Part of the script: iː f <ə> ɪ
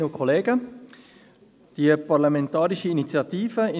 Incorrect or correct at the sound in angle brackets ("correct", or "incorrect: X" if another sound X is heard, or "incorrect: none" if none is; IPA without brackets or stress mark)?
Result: correct